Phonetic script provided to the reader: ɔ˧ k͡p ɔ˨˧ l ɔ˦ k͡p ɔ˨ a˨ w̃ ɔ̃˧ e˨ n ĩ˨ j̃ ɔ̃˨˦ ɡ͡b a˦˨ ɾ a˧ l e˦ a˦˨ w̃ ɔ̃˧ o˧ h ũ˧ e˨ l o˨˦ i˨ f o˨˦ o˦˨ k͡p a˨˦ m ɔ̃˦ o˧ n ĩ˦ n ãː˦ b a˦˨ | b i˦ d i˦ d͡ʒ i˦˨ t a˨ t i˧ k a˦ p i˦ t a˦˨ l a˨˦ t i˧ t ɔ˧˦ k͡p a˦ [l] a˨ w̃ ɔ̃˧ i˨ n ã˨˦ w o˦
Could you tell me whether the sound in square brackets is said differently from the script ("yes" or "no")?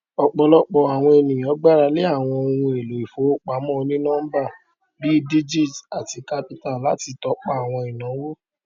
yes